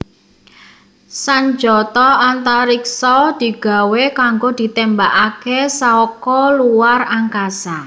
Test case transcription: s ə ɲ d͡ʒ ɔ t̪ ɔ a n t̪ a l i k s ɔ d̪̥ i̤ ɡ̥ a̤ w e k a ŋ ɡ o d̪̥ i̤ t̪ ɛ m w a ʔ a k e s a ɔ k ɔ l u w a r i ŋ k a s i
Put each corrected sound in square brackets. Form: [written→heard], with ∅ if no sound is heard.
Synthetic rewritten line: s [ə→a] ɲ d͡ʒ ɔ t̪ ɔ a n t̪ a [l→ɾ] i k s ɔ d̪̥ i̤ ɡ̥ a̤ w e k a ŋ ɡ o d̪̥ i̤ t̪ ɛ m [w→b] a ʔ a k e s a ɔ k ɔ l u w a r [i→a] ŋ k a s [i→a]